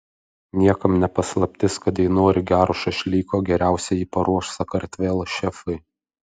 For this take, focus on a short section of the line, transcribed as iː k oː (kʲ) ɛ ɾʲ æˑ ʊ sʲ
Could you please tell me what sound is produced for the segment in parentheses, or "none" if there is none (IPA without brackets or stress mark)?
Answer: ɡʲ